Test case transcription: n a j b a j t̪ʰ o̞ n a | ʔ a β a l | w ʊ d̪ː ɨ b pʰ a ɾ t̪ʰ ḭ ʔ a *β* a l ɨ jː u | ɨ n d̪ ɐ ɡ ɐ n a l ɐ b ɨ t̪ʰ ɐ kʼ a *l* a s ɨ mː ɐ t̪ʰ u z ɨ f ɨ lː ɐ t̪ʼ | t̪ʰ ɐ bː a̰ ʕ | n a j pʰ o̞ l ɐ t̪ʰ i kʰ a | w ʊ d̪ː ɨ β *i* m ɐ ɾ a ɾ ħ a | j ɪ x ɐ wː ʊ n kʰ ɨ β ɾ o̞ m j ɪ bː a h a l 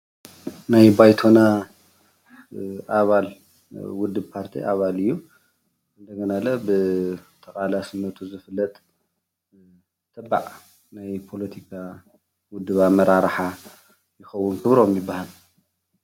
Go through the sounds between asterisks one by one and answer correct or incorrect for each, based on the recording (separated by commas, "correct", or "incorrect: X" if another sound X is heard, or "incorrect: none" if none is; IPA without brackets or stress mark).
correct, correct, incorrect: a